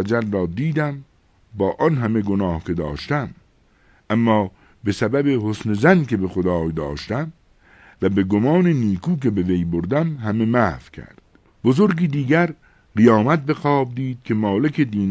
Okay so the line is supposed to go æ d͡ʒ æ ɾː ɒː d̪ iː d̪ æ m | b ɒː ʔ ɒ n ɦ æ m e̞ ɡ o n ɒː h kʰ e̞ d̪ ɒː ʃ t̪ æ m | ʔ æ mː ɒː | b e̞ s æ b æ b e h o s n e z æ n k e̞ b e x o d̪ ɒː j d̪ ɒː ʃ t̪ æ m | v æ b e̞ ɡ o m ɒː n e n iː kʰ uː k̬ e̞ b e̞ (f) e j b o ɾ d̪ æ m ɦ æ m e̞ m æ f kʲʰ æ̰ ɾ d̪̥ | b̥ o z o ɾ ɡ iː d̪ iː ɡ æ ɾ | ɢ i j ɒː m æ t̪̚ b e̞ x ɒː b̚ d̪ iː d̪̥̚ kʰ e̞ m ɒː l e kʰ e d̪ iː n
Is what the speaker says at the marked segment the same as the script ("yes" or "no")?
no